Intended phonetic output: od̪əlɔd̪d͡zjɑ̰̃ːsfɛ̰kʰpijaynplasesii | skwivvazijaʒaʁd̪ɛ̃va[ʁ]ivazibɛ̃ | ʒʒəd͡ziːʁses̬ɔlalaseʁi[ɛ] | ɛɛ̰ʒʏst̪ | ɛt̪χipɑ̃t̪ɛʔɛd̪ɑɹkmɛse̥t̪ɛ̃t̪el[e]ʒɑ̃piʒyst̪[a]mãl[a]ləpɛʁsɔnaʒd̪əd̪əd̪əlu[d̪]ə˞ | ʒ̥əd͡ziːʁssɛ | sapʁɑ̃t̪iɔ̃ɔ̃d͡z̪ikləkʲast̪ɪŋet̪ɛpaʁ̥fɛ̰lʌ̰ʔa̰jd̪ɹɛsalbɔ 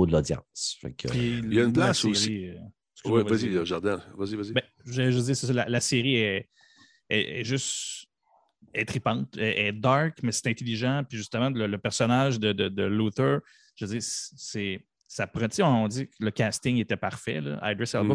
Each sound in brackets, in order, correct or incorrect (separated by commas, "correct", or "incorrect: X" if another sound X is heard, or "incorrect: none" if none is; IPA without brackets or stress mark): incorrect: z, correct, incorrect: i, incorrect: ə, incorrect: ə, incorrect: t̪